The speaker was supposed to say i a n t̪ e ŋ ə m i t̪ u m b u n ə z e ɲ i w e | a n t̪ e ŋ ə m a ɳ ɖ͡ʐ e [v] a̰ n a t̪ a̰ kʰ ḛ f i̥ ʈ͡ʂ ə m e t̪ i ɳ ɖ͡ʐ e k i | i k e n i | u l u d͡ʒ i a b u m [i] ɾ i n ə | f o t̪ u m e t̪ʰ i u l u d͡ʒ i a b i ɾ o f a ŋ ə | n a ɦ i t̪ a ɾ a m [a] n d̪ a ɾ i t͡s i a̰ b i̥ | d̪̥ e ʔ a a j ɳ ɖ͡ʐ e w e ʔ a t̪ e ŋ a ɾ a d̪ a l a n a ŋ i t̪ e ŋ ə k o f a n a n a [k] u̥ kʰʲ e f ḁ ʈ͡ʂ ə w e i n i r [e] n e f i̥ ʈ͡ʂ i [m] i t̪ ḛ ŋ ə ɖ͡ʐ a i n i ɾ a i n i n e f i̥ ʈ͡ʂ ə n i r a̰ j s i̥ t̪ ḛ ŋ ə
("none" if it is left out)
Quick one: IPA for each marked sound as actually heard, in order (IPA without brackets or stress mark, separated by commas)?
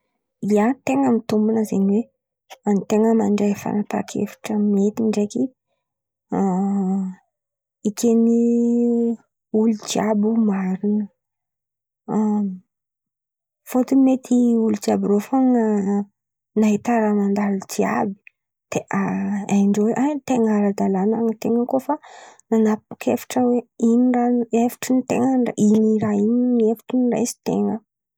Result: f, a, a, p, a, n